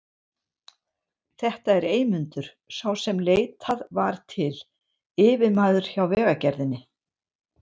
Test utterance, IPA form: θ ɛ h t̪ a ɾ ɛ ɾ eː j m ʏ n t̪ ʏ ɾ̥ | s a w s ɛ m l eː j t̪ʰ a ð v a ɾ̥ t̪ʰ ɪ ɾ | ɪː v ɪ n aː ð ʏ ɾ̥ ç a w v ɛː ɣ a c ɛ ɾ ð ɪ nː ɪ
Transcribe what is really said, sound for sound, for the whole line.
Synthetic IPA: θ ɛ h t̪ a ɛ ɾ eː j m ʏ n t̪ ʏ ɾ̥ | s a w s ɛ m l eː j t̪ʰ a ð v a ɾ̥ t̪ʰ ɪ l | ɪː v ɪ m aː ð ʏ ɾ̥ ç a w v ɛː ɣ a c ɛ ɾ ð ɪ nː ɪ